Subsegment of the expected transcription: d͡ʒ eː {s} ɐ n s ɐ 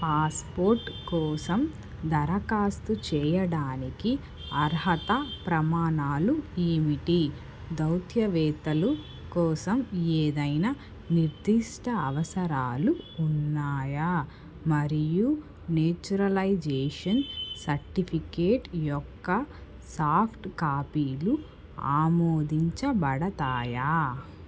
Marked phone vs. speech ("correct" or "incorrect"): incorrect